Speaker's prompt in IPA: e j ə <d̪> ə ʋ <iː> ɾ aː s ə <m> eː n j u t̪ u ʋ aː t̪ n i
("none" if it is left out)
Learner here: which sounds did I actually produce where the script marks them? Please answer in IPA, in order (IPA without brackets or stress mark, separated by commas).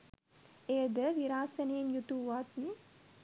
d̪, i, n